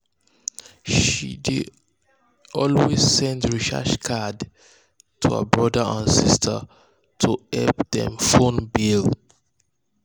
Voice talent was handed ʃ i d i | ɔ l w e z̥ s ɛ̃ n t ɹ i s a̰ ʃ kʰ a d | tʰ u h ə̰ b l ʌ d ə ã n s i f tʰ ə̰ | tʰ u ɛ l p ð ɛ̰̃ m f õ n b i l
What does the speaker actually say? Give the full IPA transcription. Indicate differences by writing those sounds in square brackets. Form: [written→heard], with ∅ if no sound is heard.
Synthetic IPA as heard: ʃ i d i | ɔ l w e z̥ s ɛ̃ n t ɹ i [s→ʃ] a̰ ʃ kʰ a d | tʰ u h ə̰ b [l→ɹ] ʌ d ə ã n s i [f→s] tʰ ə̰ | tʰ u ɛ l p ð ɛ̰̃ m f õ n b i l